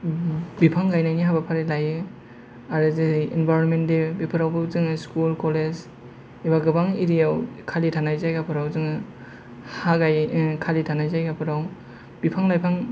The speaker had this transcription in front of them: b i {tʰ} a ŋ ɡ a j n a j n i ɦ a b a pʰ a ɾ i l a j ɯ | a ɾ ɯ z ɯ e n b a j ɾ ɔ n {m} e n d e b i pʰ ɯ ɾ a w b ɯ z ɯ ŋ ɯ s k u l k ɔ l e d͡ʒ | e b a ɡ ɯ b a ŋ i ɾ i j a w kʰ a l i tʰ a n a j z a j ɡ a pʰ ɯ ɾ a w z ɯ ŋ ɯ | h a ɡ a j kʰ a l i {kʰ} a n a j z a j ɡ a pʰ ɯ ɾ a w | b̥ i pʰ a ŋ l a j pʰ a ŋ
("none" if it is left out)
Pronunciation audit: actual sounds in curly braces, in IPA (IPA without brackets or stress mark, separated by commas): pʰ, m, tʰ